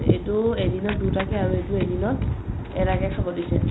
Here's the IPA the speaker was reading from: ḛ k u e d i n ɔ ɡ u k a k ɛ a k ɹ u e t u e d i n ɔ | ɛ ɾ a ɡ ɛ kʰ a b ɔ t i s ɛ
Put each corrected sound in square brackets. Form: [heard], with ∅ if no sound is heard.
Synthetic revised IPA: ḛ [t] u e d i n ɔ [d] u [t] a k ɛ a [∅] ɹ u e t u e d i n ɔ | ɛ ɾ a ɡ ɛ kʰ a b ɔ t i s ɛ